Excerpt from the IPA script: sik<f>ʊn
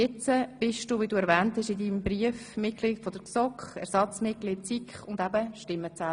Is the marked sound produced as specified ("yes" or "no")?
no